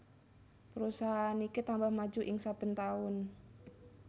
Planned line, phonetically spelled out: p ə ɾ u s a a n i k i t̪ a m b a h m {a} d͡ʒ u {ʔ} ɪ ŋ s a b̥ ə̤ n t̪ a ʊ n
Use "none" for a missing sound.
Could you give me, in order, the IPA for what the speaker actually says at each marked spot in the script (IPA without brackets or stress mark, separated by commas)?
a, ʔ